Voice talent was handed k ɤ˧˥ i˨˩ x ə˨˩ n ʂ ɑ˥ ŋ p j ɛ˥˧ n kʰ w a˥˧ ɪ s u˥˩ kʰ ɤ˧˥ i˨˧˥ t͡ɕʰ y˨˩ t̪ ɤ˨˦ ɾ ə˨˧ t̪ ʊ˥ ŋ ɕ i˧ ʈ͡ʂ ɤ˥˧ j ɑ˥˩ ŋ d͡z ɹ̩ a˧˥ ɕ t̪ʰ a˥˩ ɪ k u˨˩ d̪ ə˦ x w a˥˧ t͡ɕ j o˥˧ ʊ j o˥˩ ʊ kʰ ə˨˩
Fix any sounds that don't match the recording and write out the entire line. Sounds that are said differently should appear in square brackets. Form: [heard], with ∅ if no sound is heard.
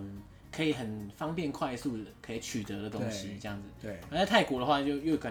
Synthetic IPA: [kʰ] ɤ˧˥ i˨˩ x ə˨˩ n [f] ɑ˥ ŋ p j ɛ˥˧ n kʰ w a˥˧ ɪ s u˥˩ kʰ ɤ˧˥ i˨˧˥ t͡ɕʰ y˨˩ t̪ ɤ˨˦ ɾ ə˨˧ t̪ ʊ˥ ŋ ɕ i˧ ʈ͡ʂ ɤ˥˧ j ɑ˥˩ ŋ d͡z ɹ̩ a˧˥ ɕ t̪ʰ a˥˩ ɪ k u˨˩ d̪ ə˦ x w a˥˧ t͡ɕ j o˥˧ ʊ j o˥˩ ʊ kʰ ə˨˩